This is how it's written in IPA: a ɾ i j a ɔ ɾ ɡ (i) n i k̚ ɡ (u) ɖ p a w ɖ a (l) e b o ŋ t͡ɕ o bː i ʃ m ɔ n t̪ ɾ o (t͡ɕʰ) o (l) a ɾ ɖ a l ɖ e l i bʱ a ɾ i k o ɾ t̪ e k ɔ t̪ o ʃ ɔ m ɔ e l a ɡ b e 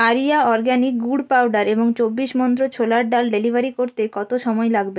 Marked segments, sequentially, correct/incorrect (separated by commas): incorrect, correct, incorrect, correct, correct